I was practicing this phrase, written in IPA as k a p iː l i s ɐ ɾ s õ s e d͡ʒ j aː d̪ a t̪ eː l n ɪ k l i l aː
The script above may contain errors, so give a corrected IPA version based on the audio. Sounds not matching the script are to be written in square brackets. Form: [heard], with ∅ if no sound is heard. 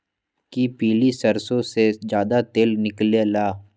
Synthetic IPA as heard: k [i] p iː l i s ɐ ɾ s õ s e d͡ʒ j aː d̪ a t̪ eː l n ɪ k l [e] l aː